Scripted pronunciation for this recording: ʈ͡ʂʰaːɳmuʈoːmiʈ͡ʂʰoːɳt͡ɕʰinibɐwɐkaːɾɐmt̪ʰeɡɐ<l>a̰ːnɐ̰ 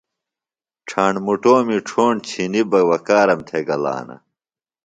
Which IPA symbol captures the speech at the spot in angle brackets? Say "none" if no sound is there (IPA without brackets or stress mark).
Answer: l